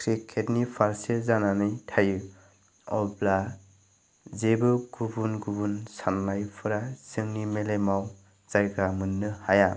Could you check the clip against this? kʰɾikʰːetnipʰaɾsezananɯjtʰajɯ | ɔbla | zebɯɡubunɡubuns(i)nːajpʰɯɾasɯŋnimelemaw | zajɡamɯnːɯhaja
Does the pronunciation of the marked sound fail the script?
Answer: yes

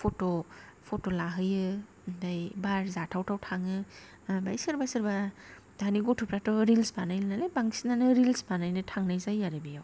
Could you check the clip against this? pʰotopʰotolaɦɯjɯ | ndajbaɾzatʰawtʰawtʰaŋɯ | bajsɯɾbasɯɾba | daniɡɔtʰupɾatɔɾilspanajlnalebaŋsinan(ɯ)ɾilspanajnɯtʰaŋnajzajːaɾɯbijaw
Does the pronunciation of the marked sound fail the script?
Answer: no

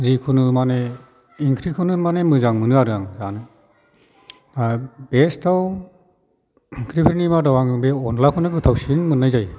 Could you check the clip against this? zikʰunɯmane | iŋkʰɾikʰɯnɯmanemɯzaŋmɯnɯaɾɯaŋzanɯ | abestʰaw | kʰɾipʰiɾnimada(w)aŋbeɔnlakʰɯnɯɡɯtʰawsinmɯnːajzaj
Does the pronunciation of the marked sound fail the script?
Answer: no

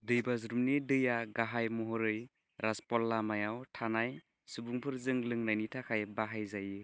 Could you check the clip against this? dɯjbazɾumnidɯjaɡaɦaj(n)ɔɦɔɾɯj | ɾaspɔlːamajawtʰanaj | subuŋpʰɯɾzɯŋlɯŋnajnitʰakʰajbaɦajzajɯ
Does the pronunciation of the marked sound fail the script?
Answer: yes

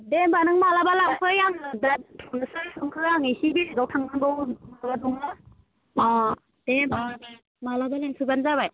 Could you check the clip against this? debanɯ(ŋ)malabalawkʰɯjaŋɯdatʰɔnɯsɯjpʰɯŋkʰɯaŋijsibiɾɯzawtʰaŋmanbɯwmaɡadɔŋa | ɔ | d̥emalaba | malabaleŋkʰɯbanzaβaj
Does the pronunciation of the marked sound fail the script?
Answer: no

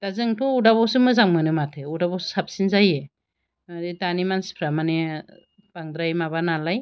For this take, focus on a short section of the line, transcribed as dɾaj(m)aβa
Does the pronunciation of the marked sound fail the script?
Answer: no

